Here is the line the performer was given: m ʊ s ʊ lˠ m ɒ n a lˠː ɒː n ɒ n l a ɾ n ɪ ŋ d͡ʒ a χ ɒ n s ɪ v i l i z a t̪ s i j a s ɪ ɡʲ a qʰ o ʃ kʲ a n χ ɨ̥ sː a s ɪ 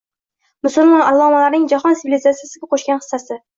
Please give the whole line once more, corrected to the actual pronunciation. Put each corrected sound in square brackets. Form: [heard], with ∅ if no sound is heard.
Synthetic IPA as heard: m ʊ s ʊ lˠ m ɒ n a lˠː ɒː [m] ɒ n l a ɾ n ɪ ŋ d͡ʒ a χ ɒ n s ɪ v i l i z a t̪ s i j a s ɪ ɡʲ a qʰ o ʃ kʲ a n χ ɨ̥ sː a s ɪ